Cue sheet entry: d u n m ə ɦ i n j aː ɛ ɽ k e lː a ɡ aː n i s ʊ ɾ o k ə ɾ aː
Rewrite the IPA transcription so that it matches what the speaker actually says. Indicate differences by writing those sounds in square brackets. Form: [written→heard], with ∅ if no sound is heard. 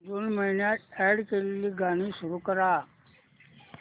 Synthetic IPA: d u n m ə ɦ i n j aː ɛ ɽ k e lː [a→i] ɡ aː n i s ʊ ɾ [o→u] k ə ɾ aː